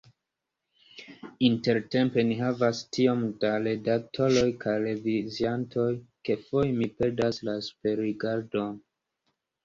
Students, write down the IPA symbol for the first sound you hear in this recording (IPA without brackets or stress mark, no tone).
i